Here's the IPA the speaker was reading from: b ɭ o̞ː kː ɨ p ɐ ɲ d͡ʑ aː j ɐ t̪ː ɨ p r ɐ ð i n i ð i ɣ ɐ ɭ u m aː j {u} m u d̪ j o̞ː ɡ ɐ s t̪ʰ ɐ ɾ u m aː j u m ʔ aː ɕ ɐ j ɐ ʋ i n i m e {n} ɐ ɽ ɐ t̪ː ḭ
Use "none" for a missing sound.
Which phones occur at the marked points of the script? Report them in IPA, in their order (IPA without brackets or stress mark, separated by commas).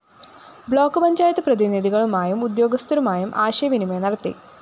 u, n